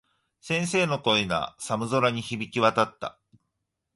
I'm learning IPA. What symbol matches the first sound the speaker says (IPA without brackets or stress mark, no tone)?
s